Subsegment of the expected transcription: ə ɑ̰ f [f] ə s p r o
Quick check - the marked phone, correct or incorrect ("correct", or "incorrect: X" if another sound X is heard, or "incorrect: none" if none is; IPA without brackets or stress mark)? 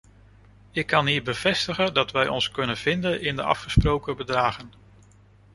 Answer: incorrect: χ